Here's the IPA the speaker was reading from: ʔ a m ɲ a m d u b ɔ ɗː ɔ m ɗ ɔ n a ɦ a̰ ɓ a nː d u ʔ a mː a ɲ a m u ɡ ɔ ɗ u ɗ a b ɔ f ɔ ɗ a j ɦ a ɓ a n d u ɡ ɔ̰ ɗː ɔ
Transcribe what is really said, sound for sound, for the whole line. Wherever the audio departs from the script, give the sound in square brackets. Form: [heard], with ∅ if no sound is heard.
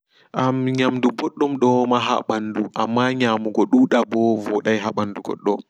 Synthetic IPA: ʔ a m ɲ a m d u b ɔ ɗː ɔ m ɗ ɔ [m] a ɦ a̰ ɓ a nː d u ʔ a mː a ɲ a m u ɡ ɔ ɗ u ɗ a b ɔ [v] ɔ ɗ a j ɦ a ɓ a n d u ɡ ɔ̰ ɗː ɔ